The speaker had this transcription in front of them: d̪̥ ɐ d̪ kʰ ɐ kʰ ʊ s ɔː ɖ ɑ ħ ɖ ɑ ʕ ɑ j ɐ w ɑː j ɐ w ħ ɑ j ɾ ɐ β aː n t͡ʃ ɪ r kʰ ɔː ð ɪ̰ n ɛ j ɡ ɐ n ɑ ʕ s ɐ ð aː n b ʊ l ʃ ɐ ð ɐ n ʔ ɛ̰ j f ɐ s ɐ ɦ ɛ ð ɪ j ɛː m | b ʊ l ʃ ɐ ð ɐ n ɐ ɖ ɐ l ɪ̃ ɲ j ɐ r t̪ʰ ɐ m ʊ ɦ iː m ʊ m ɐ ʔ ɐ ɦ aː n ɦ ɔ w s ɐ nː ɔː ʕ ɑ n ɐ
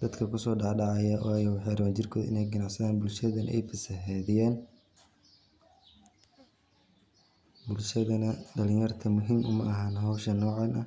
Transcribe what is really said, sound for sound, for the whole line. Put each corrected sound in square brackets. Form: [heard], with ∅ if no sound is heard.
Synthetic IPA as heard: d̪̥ ɐ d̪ kʰ ɐ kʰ ʊ s ɔː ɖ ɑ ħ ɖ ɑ ʕ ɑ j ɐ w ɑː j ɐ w ħ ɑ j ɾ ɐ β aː n t͡ʃ ɪ r kʰ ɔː ð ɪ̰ n ɛ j ɡ ɐ n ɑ ʕ s ɐ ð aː n b ʊ l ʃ ɐ ð ɐ n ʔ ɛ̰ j f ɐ s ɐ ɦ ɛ ð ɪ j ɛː [n] | b ʊ l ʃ ɐ ð ɐ n ɐ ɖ ɐ l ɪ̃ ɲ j ɐ r t̪ʰ ɐ m ʊ ɦ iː m ʊ m ɐ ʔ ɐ ɦ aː n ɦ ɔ w [ʃ] ɐ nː ɔː ʕ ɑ n ɐ